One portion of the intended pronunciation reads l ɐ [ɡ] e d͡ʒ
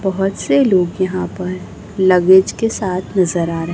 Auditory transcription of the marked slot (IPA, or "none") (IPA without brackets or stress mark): ɡ